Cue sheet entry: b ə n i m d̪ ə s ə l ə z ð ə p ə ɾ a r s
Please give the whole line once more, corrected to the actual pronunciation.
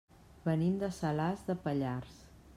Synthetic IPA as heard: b ə n i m d̪ ə s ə l a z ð ə p ə ʎ a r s